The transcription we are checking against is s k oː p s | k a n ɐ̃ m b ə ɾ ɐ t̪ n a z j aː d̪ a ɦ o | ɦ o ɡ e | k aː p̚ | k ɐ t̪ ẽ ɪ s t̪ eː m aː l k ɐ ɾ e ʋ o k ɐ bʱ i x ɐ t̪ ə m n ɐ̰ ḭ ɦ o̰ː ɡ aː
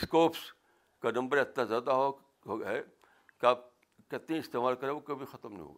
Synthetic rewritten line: s k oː p s | k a n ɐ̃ m b ə ɾ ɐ t̪ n a z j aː d̪ a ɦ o | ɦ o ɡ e | k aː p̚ | k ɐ t̪ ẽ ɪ s t̪ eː m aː l k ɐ ɾ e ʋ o k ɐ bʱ i x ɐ t̪ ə m n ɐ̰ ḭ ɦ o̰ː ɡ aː